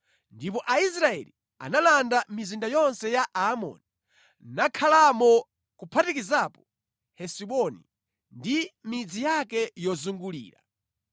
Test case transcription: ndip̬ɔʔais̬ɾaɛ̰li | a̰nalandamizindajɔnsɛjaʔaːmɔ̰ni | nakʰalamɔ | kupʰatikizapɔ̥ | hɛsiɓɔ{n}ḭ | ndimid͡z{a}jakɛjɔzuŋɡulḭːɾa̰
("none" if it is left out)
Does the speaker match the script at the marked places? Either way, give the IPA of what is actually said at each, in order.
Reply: n, i

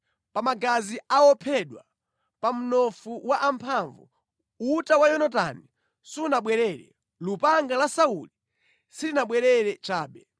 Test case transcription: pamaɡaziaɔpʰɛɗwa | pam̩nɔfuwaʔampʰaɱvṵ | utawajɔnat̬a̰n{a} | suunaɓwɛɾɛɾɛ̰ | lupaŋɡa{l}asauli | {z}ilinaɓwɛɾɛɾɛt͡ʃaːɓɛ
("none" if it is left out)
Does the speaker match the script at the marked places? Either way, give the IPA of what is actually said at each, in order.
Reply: i, l, s

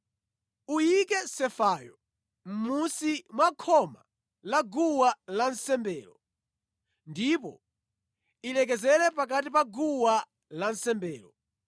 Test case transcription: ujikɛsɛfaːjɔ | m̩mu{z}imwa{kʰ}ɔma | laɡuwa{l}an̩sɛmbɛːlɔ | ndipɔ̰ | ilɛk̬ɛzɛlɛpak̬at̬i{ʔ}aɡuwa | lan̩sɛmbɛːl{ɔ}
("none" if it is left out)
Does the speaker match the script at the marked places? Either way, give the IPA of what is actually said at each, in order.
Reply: s, kʰ, l, p, ɔ

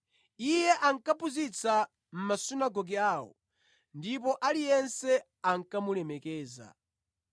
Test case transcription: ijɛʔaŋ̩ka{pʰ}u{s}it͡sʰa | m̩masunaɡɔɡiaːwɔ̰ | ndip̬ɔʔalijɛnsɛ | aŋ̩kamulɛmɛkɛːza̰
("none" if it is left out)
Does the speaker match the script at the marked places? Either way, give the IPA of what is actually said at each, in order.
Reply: p, z

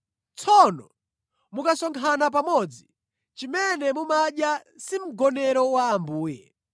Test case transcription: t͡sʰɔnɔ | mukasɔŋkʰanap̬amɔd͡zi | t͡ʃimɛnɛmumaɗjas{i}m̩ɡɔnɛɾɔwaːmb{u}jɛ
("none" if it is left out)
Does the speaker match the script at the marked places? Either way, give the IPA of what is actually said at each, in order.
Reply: i, uː

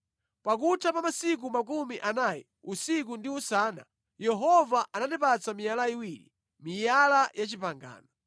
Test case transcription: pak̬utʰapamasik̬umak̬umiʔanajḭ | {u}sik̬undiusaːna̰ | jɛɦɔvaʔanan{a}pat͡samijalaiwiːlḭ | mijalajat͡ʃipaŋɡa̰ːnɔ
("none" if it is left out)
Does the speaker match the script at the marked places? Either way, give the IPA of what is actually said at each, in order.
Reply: u, i

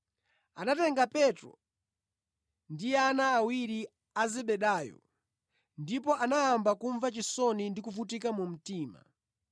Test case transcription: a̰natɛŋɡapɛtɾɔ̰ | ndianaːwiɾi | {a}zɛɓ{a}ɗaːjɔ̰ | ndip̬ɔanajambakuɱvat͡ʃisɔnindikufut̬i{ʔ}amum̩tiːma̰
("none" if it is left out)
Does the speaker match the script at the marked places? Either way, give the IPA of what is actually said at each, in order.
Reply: a, ɛ, k

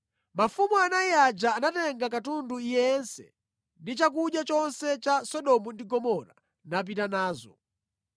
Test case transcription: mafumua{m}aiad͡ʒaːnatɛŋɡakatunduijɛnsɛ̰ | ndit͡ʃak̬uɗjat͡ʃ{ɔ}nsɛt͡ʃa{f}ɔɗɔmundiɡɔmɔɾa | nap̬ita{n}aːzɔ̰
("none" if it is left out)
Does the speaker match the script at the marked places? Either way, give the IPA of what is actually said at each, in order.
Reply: n, ɔ, s, n

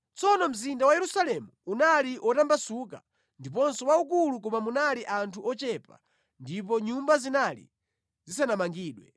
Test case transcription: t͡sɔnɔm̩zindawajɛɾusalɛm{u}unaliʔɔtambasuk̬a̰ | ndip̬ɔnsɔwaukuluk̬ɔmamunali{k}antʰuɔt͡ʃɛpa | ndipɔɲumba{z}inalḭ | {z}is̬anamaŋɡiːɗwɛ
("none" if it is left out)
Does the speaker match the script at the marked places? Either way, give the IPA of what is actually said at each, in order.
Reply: u, ʔ, z, z

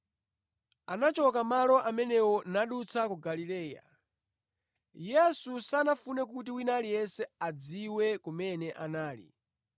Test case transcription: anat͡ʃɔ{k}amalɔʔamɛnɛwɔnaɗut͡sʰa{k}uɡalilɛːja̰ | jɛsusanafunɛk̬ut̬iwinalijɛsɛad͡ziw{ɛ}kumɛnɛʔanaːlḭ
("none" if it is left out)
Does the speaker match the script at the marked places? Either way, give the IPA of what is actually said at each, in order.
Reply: k, k, ɛ

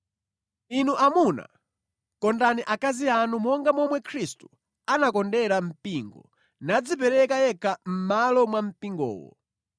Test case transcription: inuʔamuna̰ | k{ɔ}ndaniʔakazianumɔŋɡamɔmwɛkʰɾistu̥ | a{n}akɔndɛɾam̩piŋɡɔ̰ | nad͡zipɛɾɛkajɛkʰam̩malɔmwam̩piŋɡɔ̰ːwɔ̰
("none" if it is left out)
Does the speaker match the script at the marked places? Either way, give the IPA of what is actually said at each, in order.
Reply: ɔ, n

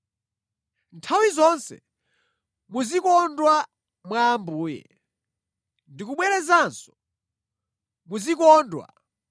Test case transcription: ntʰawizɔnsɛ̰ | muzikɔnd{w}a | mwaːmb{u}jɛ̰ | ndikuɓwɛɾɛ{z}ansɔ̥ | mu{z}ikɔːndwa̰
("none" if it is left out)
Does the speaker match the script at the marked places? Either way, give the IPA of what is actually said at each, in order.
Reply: w, uː, z, z

